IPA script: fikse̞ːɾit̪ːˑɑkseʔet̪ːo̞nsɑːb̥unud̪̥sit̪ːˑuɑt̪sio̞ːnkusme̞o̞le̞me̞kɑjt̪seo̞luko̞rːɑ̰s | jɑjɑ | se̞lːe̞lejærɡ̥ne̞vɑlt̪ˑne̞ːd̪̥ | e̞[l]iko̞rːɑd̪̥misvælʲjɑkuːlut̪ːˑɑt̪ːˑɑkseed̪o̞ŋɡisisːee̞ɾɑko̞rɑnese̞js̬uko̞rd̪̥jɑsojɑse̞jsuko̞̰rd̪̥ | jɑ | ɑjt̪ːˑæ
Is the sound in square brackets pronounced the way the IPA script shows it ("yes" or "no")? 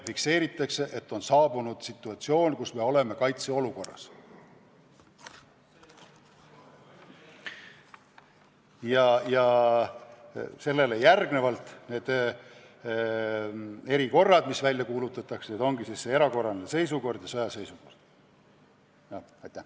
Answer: no